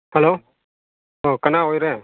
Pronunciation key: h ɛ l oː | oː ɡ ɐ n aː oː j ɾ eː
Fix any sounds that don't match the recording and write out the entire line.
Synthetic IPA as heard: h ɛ l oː | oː k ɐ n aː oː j ɾ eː